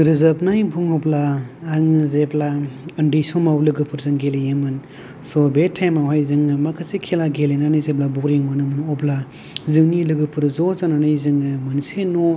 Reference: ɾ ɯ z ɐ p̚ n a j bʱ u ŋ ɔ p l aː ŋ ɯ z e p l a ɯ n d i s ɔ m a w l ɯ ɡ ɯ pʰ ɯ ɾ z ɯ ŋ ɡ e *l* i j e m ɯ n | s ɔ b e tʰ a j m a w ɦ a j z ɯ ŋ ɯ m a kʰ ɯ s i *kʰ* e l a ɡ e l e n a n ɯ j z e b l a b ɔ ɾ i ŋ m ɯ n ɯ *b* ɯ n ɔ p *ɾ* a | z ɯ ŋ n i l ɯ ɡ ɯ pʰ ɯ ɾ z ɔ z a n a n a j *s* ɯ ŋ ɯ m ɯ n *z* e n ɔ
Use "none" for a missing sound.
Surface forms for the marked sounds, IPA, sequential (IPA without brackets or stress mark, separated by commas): l, kʰ, m, l, z, s